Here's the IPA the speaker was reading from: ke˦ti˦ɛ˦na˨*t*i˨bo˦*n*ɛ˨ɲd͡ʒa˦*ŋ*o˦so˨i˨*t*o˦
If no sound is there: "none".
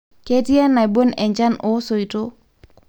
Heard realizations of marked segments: none, n, n, t

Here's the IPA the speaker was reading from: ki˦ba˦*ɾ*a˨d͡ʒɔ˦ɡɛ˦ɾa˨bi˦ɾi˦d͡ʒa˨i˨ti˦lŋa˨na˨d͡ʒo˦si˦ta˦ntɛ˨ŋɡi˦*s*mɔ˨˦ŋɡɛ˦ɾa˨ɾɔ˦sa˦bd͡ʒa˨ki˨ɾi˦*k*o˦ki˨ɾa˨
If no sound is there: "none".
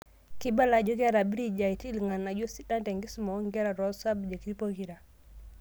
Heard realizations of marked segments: l, s, p

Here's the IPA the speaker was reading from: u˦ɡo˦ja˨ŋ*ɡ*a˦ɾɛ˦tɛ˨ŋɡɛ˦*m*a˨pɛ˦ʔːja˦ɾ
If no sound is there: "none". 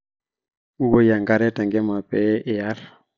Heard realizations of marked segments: ɡ, m

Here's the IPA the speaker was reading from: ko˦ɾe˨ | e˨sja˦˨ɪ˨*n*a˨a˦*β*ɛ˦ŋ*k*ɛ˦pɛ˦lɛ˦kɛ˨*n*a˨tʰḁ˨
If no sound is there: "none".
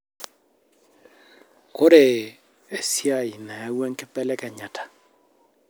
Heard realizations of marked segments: n, w, k, ɲ

